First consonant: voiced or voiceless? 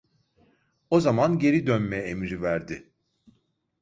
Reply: voiced